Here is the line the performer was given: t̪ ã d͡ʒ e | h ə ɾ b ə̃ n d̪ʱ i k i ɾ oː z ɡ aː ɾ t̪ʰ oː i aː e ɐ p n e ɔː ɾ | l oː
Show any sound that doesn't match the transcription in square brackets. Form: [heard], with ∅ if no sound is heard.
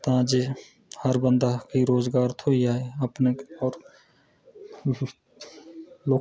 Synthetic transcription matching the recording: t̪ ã d͡ʒ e | h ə ɾ b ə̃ n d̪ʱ [a] k i ɾ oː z ɡ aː ɾ t̪ʰ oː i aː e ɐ p n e ɔː ɾ | l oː